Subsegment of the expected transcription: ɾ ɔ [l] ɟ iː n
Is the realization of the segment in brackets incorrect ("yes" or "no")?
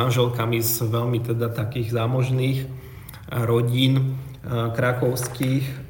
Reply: yes